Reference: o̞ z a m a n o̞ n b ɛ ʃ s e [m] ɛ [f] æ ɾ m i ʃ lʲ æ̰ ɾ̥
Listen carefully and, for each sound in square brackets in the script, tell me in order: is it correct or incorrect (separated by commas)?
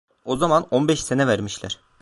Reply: incorrect, incorrect